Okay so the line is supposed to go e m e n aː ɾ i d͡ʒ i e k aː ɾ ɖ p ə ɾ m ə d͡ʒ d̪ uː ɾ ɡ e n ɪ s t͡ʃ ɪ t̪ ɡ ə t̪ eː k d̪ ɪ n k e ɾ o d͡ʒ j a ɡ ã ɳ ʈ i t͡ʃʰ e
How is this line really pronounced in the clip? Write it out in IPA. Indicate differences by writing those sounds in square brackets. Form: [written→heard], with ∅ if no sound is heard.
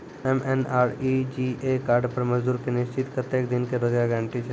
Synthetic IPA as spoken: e m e n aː ɾ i d͡ʒ i e k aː ɾ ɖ p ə ɾ m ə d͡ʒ d̪ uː ɾ [ɡ→k] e n ɪ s t͡ʃ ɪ t̪ [ɡ→k] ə t̪ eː k d̪ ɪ n k e ɾ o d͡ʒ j a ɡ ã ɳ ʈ i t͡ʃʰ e